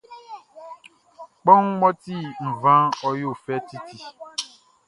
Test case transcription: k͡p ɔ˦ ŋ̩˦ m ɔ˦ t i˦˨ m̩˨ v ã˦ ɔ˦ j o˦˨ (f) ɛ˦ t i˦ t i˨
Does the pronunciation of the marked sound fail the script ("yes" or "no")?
no